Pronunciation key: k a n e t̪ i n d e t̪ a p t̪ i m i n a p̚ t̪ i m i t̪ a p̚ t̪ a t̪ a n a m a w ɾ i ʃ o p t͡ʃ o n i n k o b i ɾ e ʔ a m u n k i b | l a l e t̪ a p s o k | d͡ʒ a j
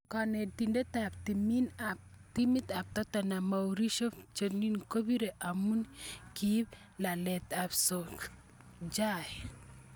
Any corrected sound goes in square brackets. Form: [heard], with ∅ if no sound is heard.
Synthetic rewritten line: k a n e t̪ i n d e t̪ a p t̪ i m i n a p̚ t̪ i m i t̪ a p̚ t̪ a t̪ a n a m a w ɾ i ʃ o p t͡ʃ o n i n k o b i ɾ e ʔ a m u n k i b | l a l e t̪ a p s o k | d͡ʒ a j